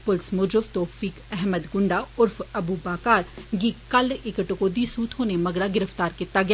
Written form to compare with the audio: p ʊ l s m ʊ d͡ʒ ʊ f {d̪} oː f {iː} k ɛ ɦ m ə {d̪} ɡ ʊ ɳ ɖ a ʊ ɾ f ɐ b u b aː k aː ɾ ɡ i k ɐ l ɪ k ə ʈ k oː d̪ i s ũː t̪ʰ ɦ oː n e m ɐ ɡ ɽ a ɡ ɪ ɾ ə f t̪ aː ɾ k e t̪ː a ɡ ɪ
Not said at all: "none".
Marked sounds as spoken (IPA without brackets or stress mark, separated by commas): t̪, iː, d̪